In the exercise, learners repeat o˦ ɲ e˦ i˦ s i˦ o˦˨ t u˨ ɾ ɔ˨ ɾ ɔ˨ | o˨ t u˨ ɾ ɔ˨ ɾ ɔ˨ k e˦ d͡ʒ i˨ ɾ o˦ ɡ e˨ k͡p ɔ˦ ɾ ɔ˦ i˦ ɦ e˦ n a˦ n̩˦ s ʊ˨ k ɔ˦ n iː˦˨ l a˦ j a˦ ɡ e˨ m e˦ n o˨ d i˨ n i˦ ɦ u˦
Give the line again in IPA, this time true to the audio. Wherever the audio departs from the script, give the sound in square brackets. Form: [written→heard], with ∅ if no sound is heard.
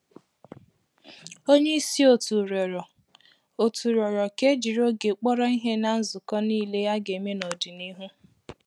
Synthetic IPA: o˦ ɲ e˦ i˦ s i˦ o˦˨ t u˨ ɾ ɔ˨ ɾ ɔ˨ | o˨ t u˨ ɾ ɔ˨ ɾ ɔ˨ k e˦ d͡ʒ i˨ ɾ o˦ ɡ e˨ k͡p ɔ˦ ɾ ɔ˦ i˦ ɦ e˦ n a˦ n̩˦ [s→z] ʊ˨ k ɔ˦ n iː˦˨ l [a˦→e˦] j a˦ ɡ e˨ m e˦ n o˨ d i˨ n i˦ ɦ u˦